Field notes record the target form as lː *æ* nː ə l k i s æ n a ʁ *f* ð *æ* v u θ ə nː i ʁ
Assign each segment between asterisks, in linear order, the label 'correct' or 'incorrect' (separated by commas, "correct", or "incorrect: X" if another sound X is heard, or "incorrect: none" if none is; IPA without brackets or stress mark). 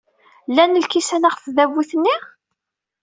correct, correct, correct